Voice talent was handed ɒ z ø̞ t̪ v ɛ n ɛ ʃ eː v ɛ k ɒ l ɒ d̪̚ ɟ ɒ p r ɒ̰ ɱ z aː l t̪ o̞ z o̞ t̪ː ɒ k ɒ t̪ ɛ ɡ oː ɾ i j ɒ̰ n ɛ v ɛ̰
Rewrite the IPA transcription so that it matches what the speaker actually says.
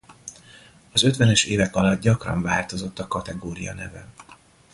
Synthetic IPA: ɒ z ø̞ t̪ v ɛ n ɛ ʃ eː v ɛ k ɒ l ɒ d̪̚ ɟ ɒ k r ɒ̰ ɱ v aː l t̪ o̞ z o̞ t̪ː ɒ k ɒ t̪ ɛ ɡ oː ɾ i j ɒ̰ n ɛ v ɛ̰